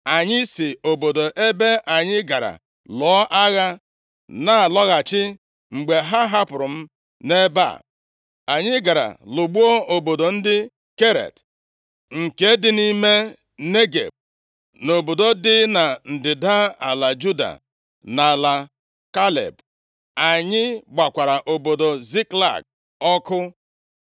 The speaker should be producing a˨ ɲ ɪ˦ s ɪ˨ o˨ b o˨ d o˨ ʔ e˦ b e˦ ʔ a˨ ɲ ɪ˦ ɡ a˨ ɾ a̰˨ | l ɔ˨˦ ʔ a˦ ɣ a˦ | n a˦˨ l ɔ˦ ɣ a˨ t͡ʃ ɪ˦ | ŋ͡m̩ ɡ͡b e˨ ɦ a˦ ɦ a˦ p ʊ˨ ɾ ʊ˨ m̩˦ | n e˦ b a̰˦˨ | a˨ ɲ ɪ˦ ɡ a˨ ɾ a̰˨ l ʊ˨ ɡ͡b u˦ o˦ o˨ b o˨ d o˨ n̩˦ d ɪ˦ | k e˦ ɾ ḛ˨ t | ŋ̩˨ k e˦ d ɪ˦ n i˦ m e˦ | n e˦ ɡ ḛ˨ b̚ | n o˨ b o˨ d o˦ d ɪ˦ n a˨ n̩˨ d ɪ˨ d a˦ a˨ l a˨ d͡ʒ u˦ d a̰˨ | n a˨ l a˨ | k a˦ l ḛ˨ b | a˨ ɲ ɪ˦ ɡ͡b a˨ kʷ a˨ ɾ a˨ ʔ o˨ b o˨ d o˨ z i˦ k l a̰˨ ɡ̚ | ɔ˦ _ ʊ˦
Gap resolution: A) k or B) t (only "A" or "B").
A